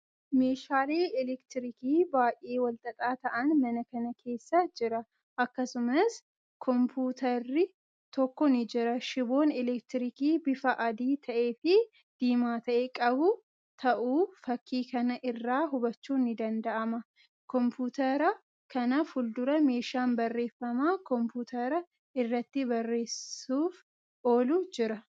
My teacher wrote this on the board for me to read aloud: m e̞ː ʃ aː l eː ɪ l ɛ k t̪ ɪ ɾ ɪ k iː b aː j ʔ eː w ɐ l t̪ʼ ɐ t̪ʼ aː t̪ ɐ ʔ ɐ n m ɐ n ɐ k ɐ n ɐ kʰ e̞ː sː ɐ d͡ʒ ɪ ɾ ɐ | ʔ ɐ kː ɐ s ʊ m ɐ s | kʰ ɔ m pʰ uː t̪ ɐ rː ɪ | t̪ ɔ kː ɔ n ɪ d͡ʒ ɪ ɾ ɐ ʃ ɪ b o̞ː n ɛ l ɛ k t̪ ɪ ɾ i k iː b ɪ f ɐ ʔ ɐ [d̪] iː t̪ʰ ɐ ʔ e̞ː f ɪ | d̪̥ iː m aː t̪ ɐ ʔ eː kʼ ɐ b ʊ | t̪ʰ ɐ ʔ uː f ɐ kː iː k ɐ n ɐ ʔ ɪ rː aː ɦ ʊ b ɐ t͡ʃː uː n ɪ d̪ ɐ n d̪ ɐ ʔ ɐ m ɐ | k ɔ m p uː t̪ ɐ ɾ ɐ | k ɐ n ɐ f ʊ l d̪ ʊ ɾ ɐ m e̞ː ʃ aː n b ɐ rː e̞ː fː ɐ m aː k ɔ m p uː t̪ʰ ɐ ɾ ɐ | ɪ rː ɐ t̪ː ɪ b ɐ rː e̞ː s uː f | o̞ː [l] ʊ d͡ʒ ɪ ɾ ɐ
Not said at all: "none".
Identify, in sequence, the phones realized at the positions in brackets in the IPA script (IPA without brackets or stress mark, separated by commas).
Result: d̪, l